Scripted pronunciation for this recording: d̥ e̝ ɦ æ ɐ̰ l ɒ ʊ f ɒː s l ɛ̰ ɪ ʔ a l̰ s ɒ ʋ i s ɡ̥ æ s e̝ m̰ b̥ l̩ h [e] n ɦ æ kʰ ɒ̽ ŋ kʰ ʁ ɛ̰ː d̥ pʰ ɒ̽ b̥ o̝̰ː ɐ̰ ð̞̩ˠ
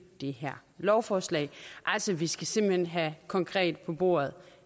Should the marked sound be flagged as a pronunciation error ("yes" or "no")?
no